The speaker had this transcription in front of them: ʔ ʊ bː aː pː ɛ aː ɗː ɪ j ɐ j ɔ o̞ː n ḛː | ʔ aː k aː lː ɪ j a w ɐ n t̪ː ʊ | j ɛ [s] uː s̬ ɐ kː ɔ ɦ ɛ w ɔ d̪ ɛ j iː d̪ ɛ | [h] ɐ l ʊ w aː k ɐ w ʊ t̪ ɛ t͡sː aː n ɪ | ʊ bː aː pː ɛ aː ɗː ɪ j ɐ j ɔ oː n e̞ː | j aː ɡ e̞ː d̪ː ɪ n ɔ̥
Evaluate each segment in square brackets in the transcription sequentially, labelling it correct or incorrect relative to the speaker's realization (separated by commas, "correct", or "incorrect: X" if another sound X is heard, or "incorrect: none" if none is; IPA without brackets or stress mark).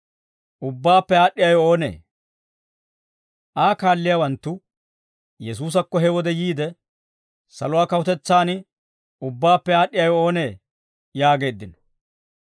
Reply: correct, incorrect: s